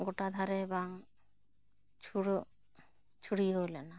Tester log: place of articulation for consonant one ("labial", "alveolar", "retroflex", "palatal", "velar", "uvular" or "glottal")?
velar